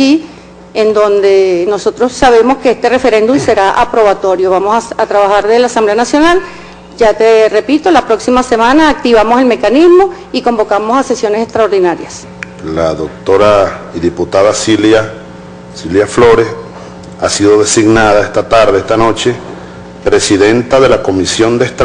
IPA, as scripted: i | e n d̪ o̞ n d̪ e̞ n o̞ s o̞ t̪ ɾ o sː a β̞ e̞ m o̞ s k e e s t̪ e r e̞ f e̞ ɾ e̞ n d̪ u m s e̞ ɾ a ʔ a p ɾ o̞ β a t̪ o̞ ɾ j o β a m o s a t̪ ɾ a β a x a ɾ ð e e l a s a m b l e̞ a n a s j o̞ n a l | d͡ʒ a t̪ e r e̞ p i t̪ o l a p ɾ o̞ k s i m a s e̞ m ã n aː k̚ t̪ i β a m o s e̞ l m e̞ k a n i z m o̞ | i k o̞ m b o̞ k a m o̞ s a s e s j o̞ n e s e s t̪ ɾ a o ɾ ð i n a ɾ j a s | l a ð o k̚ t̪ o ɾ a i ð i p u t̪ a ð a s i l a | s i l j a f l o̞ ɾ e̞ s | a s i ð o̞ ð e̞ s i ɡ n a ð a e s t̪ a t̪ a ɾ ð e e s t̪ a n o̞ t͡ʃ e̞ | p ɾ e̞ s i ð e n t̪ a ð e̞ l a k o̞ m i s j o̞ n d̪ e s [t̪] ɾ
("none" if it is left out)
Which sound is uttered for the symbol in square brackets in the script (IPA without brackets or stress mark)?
t̪